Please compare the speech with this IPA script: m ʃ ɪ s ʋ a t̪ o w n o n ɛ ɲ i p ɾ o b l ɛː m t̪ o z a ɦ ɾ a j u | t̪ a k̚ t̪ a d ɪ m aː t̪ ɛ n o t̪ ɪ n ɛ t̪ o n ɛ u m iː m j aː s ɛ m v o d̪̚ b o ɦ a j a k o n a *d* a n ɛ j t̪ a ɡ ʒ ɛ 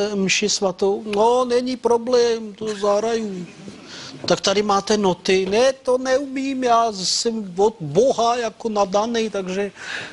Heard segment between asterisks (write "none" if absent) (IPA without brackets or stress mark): d